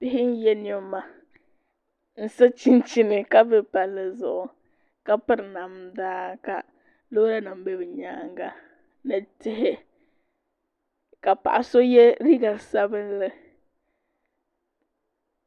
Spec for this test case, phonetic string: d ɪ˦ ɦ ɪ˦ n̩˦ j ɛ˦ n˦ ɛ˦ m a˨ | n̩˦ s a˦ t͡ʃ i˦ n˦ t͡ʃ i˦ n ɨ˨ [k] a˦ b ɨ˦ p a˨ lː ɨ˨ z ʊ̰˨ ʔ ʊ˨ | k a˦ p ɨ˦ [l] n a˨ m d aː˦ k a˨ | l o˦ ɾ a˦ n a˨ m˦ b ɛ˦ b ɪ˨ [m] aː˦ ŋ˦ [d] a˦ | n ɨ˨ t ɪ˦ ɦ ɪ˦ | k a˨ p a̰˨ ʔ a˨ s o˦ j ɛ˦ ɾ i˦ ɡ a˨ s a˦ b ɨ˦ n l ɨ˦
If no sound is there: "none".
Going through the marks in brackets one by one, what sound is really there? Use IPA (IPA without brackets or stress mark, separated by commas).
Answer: k, ɾ, ɲ, ɡ